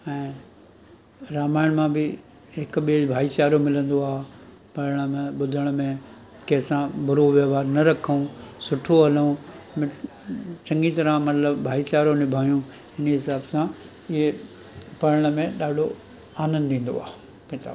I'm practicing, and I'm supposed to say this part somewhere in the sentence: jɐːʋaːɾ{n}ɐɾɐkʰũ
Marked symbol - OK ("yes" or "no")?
yes